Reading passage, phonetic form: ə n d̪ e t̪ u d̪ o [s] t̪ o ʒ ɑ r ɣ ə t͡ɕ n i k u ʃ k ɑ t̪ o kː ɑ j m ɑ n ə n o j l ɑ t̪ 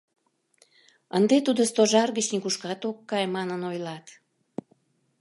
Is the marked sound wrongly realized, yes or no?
no